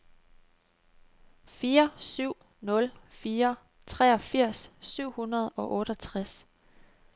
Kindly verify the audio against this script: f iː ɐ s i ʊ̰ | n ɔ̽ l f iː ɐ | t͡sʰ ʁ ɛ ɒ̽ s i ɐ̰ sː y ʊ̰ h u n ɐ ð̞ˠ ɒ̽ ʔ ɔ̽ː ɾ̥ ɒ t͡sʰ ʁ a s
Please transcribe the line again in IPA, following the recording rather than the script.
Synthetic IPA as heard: f iː ɐ s y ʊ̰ | n ɔ̽ l f iː ɐ | t͡sʰ ʁ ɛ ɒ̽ f i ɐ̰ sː y ʊ̰ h u n ɐ ð̞ˠ ɒ̽ ʔ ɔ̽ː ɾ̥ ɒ t͡sʰ ʁ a s